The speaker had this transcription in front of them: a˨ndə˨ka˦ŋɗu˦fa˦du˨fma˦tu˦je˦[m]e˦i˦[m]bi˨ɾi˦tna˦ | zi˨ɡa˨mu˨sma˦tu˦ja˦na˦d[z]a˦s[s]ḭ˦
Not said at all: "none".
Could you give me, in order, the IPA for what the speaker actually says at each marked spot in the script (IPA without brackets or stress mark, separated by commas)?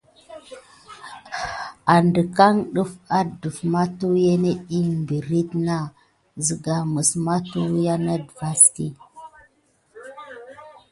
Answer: n, m, v, t